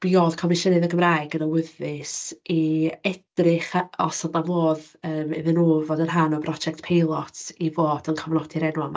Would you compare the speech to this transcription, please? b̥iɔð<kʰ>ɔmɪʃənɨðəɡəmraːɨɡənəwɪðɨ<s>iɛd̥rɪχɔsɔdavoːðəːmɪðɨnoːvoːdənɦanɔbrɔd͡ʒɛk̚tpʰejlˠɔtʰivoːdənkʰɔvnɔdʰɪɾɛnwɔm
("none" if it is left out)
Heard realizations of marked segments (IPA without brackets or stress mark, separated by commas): kʰ, s